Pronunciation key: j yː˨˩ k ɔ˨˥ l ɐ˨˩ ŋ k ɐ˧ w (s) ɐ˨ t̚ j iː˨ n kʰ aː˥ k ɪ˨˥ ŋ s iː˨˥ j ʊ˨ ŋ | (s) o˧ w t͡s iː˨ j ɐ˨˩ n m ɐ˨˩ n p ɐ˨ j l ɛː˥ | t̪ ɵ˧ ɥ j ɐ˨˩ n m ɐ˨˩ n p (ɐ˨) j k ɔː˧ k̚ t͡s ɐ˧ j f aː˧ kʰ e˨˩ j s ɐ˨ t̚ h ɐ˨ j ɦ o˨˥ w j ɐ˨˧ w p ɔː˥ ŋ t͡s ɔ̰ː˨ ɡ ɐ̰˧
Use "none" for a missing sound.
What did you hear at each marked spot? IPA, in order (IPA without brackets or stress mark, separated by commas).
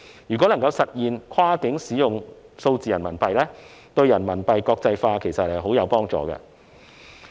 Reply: s, s, ɐ˨